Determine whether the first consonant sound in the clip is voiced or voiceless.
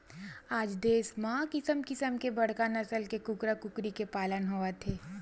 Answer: voiced